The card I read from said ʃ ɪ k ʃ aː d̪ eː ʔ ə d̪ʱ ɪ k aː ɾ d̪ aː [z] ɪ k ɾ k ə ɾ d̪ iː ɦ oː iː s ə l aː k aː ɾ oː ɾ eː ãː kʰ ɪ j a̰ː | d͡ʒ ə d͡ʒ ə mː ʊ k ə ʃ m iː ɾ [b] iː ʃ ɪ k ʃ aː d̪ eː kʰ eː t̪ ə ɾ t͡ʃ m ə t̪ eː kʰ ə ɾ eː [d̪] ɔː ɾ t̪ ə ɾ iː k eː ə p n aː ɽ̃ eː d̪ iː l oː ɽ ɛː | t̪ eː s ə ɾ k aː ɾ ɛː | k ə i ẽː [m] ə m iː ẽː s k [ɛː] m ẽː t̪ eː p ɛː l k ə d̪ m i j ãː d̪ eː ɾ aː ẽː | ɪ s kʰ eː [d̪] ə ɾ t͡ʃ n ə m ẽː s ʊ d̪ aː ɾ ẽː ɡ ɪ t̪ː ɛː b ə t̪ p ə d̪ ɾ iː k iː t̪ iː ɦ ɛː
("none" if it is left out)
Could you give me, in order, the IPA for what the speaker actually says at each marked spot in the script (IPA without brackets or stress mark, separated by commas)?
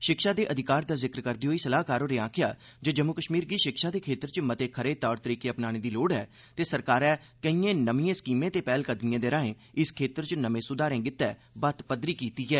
z, ɡ, t̪, n, iː, t̪